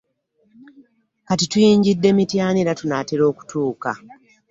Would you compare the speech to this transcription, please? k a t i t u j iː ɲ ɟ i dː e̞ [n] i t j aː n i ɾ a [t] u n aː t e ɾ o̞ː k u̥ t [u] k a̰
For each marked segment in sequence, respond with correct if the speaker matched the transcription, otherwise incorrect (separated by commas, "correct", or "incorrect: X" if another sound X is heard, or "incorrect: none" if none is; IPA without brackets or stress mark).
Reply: incorrect: m, correct, incorrect: uː